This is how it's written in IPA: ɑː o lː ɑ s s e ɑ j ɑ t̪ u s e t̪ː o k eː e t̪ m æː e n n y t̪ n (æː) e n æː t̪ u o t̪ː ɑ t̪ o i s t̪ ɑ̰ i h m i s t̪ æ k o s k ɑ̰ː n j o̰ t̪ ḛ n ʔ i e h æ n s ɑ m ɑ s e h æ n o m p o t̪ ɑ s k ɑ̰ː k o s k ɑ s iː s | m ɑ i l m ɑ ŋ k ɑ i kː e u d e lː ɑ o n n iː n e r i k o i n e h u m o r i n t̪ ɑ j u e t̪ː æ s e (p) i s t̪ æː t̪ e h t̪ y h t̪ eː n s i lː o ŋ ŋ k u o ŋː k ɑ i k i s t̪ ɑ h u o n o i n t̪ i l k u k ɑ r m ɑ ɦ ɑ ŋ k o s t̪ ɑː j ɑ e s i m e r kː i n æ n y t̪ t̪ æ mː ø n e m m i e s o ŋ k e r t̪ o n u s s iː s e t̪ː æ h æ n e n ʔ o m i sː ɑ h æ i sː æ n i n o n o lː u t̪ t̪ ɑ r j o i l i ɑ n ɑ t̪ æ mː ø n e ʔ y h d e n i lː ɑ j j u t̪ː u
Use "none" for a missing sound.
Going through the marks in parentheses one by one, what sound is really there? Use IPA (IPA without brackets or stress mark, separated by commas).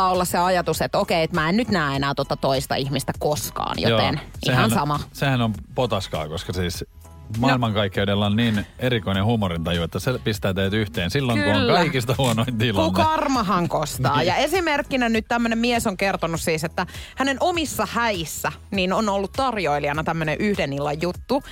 æː, p